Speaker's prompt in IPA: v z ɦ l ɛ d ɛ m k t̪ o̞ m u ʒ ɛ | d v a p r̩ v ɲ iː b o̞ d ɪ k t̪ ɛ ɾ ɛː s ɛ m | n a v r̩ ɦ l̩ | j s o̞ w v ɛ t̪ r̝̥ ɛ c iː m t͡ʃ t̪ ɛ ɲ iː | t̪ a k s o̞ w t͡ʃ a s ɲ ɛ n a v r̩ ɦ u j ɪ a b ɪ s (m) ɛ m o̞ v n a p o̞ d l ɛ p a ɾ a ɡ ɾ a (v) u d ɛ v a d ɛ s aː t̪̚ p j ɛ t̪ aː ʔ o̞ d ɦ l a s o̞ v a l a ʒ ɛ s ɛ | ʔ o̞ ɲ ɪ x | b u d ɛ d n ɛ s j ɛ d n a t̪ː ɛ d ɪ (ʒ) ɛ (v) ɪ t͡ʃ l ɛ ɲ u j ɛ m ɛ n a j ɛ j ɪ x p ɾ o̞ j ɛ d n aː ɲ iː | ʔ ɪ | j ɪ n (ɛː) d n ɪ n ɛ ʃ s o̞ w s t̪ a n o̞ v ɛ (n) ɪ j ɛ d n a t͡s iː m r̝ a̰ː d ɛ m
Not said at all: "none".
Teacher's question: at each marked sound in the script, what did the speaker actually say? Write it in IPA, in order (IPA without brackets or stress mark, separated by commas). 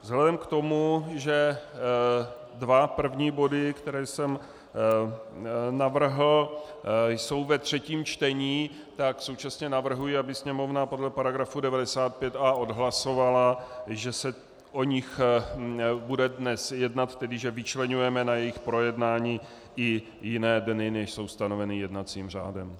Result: ɲ, f, ʒ, v, ɛː, n